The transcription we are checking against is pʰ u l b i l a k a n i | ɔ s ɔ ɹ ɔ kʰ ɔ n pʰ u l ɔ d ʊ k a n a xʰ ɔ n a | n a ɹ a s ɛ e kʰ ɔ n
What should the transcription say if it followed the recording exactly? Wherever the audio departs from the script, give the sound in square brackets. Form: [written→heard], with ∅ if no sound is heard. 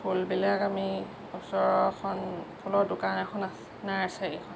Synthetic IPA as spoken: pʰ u l b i l a k a [n→m] i | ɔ s ɔ ɹ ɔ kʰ ɔ n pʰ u l ɔ d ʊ k a n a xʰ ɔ n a | n a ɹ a s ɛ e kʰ ɔ n